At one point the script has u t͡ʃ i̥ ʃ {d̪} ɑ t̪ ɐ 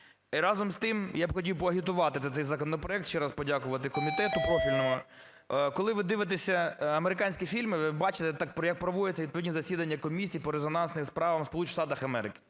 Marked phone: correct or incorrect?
incorrect: t̪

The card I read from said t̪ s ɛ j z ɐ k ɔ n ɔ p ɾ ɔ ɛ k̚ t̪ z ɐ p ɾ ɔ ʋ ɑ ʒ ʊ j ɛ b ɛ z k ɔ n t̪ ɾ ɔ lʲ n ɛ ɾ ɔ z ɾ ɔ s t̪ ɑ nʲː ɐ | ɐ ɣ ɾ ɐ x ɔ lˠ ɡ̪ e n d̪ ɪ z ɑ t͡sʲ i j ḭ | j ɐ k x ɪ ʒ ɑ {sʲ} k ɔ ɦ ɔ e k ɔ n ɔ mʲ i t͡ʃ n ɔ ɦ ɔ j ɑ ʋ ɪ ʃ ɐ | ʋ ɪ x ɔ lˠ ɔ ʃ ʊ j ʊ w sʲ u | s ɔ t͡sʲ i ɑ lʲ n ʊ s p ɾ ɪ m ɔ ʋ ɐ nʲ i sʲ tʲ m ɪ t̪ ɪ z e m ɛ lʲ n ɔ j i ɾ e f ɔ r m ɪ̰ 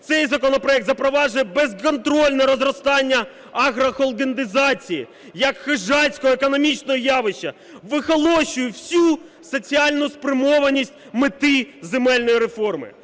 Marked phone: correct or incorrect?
correct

